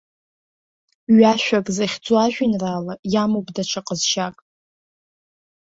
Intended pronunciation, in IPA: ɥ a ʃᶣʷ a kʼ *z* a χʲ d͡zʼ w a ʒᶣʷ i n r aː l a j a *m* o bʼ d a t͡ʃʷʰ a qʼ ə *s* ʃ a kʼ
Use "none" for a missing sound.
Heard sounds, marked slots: z, m, z

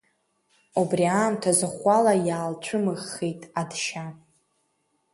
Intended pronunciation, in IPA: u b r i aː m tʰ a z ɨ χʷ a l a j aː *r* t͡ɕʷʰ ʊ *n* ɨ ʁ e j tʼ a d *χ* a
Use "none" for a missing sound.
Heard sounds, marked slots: l, m, ʃ

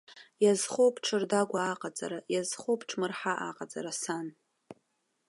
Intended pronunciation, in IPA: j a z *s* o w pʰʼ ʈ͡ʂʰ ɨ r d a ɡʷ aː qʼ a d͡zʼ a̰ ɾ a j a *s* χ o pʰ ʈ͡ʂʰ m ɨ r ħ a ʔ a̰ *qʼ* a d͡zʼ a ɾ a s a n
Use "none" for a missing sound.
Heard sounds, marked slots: χ, z, qʼ

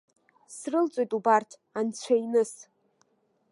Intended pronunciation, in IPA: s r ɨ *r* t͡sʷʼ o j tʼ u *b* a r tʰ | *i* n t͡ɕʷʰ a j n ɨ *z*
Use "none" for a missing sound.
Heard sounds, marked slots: l, b, a, s

